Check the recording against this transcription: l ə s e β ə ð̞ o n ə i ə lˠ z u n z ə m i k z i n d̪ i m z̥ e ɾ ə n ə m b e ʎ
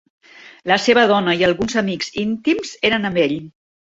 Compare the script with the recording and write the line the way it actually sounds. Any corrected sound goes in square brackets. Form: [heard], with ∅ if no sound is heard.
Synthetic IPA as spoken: l ə s e β ə ð̞ [ɔ] n ə i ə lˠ [ɣ] u n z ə m i k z i n [t̪] i m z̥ e ɾ ə n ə m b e ʎ

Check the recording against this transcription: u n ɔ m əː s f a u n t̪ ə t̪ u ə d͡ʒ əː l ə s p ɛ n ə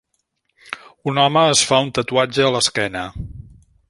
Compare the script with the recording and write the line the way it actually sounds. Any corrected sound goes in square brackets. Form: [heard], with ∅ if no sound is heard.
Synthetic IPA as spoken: u n ɔ m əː s f a u n t̪ ə t̪ u [a] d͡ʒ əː l ə s [k] ɛ n ə

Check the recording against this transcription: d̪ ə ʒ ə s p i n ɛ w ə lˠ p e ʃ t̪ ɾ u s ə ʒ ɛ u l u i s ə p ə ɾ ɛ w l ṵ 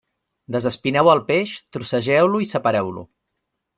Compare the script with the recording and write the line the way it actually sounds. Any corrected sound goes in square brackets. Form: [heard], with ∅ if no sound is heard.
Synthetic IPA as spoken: d̪ ə [z] ə s p i n ɛ w ə lˠ p e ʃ t̪ ɾ u s ə ʒ ɛ [w] l u i s ə p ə ɾ ɛ w l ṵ

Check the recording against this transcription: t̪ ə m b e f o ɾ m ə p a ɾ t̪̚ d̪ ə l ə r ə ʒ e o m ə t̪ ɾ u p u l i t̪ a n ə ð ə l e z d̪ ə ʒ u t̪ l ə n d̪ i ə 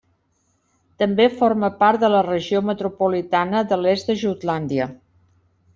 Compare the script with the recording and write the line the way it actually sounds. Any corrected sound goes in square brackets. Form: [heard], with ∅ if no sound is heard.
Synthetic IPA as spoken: t̪ ə m b e f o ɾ m ə p a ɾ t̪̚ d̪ ə l ə r ə ʒ [i] o m ə t̪ ɾ u p u l i t̪ a n ə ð ə l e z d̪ ə ʒ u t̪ l [a] n d̪ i ə

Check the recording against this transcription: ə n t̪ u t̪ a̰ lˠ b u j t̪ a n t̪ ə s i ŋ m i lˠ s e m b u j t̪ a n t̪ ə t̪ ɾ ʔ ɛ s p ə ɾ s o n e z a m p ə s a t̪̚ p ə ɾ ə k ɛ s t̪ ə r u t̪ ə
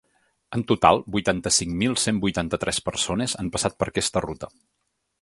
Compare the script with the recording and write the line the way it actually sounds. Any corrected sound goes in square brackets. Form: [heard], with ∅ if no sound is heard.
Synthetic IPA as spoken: ə n t̪ u t̪ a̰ lˠ b u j t̪ a n t̪ ə s i ŋ m i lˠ s e m b u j t̪ a n t̪ ə t̪ ɾ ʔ ɛ s p ə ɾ s o n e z a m p ə s a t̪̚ p ə ɾ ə k ɛ s t̪ ə r u t̪ ə

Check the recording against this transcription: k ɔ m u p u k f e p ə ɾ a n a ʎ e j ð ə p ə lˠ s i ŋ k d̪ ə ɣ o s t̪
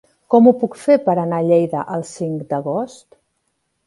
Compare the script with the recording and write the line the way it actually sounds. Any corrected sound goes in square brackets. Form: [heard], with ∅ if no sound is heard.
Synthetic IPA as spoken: k ɔ m u p u k f e p ə ɾ [ə] n a ʎ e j ð ə [ʔ] ə lˠ s i ŋ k d̪ ə ɣ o s t̪

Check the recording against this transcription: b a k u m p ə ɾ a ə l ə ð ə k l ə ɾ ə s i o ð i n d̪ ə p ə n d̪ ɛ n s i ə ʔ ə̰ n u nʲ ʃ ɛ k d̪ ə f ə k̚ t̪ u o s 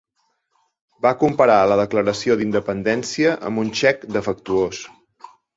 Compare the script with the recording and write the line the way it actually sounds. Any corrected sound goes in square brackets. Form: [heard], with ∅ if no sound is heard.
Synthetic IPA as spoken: b a k u m p ə ɾ a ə l ə ð ə k l ə ɾ ə s i o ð i n d̪ ə p ə n d̪ ɛ n s i ə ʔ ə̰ [m] u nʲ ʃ ɛ k d̪ ə f ə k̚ t̪ u o s

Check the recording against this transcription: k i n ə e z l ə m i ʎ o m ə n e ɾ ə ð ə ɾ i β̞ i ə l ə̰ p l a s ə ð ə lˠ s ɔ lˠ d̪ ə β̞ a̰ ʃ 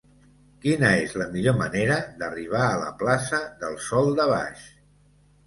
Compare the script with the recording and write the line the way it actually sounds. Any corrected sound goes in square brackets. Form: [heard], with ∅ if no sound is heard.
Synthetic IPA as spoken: k i n ə e z l ə m i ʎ o m ə n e ɾ ə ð ə [r] i β̞ [a] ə l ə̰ p l a s ə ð ə lˠ s ɔ lˠ d̪ ə β̞ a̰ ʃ

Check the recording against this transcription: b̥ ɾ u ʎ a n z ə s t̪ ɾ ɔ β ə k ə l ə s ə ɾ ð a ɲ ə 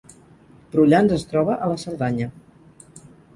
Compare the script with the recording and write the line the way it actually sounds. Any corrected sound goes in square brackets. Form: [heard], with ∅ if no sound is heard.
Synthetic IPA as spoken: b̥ ɾ u ʎ a n z ə s t̪ ɾ ɔ β ə [ʔ] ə l ə s ə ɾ ð a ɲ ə

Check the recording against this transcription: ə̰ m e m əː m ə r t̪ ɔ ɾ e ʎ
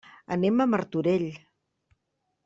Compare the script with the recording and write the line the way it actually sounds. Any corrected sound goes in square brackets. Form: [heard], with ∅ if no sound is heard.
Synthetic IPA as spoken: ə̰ [n] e m [ə] m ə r t̪ [u] ɾ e ʎ

